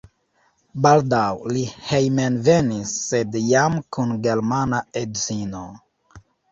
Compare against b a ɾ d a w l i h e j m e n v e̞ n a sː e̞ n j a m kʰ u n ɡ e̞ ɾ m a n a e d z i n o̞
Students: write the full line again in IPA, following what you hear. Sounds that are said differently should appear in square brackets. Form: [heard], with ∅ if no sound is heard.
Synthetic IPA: b a [l] d a w l i h e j m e n v e̞ n [i] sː e̞ [d] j a m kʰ u n ɡ e̞ ɾ m a n a e d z i n o̞